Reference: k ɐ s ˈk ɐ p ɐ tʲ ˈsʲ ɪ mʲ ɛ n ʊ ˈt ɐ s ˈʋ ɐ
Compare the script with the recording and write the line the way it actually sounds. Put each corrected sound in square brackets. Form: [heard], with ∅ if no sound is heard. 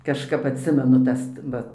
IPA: k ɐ [ʃ] ˈk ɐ p ɐ tʲ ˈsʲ ɪ mʲ ɛ n ʊ ˈt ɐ s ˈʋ ɐ